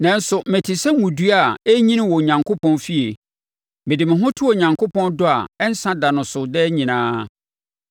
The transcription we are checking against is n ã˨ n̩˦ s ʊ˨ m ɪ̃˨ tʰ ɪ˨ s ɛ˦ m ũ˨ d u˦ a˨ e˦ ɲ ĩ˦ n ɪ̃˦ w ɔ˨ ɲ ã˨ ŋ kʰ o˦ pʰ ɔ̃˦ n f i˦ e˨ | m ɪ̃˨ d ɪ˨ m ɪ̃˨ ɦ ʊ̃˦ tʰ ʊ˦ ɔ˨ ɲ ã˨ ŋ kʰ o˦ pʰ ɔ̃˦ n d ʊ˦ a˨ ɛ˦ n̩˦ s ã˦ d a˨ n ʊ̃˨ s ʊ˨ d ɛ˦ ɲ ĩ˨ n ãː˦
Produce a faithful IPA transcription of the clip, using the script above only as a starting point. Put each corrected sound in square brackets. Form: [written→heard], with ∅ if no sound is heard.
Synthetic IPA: n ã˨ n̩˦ s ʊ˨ m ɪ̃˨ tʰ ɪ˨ s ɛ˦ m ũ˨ d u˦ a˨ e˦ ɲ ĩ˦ n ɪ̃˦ w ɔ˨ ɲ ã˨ ŋ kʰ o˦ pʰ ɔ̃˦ n f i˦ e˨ | m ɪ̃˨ d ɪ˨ m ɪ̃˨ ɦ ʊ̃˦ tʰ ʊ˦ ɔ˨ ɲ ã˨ ŋ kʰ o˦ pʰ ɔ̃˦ n d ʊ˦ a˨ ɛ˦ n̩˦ s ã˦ d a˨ n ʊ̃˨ s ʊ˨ d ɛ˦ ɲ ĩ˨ n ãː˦